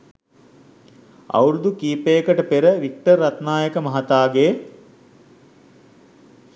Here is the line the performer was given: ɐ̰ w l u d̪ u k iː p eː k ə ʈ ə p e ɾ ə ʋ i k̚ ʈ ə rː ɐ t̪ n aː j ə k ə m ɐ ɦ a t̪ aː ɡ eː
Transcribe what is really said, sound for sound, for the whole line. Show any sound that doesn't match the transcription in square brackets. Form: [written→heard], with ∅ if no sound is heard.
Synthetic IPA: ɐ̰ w [l→ɾ] u d̪ u k iː p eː k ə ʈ ə p e ɾ ə ʋ i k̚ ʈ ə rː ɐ t̪ n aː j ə k ə m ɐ ɦ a t̪ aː ɡ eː